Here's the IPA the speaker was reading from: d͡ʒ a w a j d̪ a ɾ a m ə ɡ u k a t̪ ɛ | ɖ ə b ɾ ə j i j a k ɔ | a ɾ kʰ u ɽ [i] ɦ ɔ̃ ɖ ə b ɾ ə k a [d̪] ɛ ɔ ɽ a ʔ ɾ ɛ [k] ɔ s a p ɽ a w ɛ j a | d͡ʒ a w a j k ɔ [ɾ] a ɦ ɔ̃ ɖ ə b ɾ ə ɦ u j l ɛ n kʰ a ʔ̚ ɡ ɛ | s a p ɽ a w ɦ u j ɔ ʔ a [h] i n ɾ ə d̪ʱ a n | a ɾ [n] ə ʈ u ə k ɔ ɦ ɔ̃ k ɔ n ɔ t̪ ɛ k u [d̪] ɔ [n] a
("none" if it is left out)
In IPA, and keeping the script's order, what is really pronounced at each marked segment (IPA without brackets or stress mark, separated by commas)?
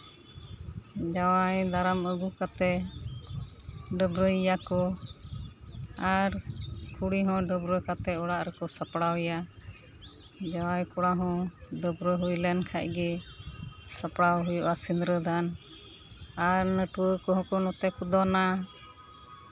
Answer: i, t̪, k, ɽ, s, n, d̪, n